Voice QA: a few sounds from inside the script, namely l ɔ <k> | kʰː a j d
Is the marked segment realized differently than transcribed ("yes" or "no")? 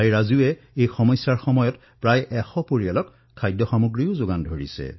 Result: no